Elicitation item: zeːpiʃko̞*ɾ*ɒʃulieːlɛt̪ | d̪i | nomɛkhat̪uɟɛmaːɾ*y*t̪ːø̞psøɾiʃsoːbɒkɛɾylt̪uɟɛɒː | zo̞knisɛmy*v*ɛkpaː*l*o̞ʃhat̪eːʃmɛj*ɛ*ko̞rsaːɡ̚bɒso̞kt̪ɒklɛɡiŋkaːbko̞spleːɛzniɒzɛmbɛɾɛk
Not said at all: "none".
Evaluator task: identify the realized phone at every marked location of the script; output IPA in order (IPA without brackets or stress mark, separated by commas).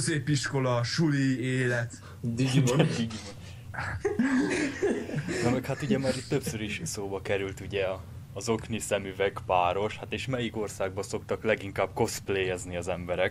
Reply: l, i, v, ɾ, i